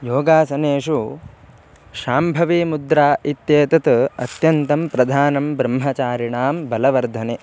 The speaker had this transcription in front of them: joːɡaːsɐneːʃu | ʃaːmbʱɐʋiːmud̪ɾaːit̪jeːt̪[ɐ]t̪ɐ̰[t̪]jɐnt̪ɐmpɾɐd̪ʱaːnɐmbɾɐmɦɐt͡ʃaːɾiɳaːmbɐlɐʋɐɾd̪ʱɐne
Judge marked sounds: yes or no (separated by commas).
yes, yes